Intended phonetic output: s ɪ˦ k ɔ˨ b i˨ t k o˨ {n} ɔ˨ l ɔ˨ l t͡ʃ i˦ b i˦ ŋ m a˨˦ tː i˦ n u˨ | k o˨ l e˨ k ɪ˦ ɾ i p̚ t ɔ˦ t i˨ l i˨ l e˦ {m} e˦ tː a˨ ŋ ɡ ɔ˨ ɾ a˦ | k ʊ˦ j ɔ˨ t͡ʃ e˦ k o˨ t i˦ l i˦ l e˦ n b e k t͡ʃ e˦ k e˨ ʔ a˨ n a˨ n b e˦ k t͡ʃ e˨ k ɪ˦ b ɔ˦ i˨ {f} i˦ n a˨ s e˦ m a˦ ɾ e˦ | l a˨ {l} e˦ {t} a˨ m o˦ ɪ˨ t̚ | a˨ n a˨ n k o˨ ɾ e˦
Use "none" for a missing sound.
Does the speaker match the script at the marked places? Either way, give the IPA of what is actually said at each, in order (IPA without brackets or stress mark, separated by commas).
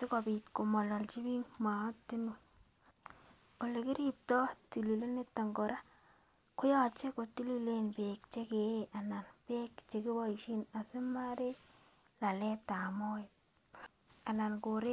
m, n, ʃ, l, t